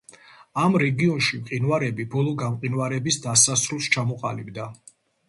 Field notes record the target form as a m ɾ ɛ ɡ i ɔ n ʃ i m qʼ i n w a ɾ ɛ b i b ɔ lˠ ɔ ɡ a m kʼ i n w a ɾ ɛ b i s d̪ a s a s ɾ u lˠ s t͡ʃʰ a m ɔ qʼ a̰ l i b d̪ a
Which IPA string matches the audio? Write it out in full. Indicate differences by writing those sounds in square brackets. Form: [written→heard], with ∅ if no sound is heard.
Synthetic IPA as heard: a m ɾ ɛ ɡ i ɔ n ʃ i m qʼ i n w a ɾ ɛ b i b ɔ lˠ ɔ ɡ a m [kʼ→qʼ] i n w a ɾ ɛ b i s d̪ a s a s ɾ u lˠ s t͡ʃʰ a m ɔ qʼ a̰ l i b d̪ a